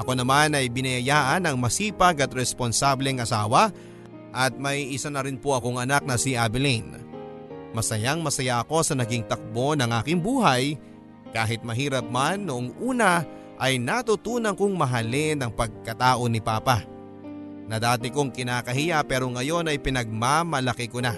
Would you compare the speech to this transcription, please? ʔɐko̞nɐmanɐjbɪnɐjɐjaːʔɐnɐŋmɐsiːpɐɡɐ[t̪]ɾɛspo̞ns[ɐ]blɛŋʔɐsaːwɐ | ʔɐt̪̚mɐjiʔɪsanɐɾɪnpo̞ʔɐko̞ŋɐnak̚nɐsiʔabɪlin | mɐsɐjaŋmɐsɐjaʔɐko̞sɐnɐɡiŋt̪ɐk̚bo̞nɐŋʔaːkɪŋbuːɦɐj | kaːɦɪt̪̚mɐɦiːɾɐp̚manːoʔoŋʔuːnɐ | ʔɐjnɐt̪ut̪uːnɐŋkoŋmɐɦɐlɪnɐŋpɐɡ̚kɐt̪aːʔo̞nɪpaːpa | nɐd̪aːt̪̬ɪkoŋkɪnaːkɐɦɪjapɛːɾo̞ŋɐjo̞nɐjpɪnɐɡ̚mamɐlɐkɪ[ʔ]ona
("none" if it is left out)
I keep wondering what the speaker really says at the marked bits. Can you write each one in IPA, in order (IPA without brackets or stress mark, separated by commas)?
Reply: t̪, a, k